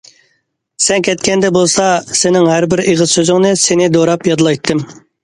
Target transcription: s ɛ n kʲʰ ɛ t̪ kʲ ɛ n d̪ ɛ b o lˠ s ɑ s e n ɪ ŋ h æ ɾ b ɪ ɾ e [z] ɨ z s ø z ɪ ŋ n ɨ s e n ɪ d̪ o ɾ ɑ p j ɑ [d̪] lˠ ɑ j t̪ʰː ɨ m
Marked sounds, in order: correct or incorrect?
incorrect, correct

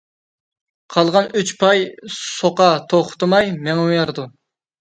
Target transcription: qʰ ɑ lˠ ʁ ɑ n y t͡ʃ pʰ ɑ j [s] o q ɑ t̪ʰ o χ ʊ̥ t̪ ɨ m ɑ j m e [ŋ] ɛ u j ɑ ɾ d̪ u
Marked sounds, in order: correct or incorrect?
correct, correct

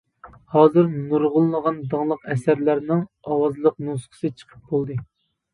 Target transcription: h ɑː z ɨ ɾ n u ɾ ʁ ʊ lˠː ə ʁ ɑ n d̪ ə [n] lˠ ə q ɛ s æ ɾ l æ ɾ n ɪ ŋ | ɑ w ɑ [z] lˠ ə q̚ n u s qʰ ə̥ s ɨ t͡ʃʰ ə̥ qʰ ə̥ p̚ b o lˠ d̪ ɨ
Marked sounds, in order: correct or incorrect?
incorrect, correct

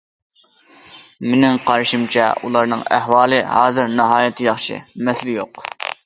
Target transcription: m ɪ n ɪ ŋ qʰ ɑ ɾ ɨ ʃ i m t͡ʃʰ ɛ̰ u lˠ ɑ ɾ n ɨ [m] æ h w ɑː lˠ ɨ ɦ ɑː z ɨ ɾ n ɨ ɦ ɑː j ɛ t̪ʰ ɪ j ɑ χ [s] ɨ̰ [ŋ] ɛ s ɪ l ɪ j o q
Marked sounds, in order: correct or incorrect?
incorrect, incorrect, incorrect

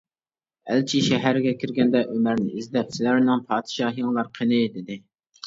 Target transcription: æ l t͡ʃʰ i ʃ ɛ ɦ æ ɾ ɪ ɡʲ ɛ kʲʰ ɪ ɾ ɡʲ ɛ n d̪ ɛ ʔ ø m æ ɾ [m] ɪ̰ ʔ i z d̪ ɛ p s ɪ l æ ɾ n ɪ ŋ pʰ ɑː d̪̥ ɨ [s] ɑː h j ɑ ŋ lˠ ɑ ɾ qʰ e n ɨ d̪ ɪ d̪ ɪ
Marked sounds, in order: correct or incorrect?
incorrect, incorrect

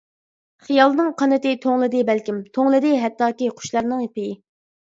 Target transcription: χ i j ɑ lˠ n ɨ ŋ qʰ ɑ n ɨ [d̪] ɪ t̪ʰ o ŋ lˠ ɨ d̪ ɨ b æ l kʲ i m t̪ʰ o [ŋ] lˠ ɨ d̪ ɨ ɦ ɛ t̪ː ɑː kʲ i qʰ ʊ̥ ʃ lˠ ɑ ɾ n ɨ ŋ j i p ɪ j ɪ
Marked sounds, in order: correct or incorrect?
incorrect, correct

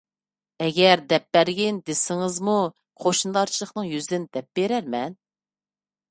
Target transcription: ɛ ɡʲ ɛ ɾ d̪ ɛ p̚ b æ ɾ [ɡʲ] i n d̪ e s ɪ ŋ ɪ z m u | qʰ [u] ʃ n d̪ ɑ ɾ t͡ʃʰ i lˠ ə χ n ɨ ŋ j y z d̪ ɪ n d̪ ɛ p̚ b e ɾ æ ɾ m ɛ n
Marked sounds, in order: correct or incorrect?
correct, incorrect

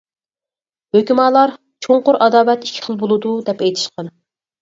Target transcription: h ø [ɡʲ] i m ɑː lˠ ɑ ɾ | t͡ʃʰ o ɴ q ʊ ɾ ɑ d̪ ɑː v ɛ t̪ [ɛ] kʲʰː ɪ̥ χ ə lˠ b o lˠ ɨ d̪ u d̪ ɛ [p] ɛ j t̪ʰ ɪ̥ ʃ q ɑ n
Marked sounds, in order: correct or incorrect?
incorrect, incorrect, correct

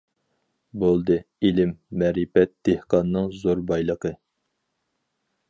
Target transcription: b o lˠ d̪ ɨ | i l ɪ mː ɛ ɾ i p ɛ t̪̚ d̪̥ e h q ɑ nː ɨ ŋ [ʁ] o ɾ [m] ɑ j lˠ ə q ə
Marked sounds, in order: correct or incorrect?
incorrect, incorrect

